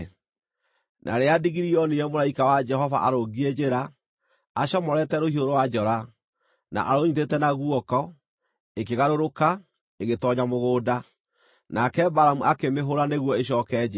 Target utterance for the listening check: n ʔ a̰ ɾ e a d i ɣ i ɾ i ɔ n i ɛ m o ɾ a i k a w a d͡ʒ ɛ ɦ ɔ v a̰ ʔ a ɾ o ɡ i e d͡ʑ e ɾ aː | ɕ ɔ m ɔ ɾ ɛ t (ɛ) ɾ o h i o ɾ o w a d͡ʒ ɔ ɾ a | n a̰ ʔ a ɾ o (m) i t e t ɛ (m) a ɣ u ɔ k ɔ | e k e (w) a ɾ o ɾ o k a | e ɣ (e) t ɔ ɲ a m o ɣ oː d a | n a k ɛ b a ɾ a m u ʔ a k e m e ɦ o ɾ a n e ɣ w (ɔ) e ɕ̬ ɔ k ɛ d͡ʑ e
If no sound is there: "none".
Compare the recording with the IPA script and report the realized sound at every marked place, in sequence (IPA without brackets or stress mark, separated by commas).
ɛ, ɲ, n, ɣ, e, ɔ